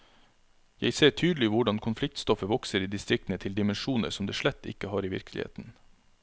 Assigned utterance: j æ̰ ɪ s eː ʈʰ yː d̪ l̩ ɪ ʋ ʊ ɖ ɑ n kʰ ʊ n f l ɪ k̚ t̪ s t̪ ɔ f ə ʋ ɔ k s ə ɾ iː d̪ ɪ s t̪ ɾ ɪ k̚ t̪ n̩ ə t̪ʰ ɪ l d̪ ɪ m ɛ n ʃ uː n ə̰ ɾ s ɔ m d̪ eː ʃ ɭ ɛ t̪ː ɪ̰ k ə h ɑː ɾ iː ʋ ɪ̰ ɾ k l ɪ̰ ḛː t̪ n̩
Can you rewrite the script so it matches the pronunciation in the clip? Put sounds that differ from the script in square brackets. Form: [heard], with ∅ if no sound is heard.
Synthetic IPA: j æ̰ ɪ s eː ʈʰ yː d̪ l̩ ɪ ʋ ʊ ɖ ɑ n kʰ ʊ n f l ɪ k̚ t̪ s t̪ ɔ f ə ʋ ɔ k s ə ɾ iː d̪ ɪ s t̪ ɾ ɪ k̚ t̪ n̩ ə t̪ʰ ɪ l d̪ ɪ m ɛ n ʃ uː n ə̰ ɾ s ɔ m d̪ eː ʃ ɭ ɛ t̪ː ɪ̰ k ə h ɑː ɾ iː ʋ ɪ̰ ɾ k l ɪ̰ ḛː t̪ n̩